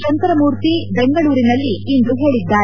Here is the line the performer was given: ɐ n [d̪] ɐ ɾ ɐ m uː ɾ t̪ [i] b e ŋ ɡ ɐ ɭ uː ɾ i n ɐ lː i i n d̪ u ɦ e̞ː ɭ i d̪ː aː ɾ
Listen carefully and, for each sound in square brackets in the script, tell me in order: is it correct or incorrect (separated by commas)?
incorrect, correct